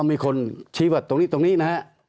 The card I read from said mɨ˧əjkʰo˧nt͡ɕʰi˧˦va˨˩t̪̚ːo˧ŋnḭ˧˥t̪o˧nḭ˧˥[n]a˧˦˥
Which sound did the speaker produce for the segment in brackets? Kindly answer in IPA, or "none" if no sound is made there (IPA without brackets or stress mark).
n